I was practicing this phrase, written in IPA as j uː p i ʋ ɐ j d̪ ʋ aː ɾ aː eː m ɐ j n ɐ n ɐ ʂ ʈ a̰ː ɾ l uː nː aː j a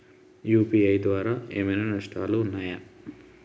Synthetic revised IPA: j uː p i ɐ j d̪ ʋ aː ɾ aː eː m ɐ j n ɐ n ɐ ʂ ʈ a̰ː l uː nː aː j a

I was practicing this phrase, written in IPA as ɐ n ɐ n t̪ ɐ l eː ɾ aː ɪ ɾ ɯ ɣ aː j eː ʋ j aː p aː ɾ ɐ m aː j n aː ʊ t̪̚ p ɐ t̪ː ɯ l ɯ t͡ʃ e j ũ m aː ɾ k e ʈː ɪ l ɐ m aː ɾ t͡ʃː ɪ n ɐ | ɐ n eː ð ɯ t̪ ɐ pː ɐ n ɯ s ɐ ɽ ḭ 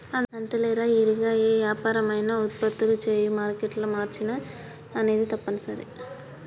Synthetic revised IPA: ɐ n ɐ n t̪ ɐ l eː ɾ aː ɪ ɾ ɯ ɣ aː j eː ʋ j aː p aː ɾ ɐ m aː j n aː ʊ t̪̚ p ɐ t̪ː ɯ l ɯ t͡ʃ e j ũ m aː ɾ k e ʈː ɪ l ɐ m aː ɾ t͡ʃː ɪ n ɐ | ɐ n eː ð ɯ t̪ ɐ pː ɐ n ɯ s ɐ ɾ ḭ

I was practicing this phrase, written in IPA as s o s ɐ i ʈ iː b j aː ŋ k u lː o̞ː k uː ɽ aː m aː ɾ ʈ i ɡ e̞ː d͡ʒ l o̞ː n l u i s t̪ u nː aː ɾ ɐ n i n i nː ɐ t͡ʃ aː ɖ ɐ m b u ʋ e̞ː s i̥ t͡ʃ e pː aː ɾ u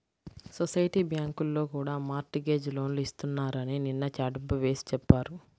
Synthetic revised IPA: s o s ɐ j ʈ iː b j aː ŋ k u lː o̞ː k uː ɽ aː m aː ɾ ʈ i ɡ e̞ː d͡ʒ l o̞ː n l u i s t̪ u nː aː ɾ ɐ n i n i nː ɐ t͡ʃ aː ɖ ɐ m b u ʋ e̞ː s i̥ t͡ʃ ɛ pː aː ɾ u

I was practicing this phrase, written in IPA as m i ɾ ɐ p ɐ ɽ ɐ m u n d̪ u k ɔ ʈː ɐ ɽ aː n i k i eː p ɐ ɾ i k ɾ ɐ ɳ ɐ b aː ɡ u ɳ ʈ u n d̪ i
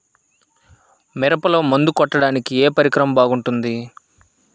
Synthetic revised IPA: m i ɾ ɐ p ɐ l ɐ m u n d̪ u k ɔ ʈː ɐ ɽ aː n i k i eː p ɐ ɾ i k ɾ ɐ m ɐ b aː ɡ u ɳ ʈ u n d̪ i

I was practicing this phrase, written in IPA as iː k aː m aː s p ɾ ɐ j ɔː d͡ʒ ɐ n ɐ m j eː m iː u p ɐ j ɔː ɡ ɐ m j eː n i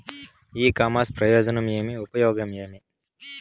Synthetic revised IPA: iː k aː m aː s p ɾ ɐ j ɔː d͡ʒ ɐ n ɐ m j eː m i u p ɐ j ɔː ɡ ɐ m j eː m i

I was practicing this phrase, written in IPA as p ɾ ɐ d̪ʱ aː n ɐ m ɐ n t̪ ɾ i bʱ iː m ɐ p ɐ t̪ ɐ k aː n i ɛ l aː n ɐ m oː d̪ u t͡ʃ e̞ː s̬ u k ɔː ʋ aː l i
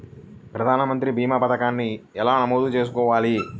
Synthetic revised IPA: p ɾ ɐ d̪ʱ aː n ɐ m ɐ n t̪ ɾ i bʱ iː m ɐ p ɐ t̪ ɐ k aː nː i ɛ l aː n ɐ m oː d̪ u t͡ʃ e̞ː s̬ u k ɔː ʋ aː l i

